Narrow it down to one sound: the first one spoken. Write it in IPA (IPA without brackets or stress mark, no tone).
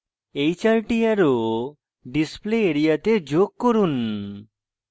e